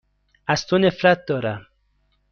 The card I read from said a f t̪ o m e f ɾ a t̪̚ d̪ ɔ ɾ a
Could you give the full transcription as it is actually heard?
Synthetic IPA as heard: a s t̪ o n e f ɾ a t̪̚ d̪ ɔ ɾ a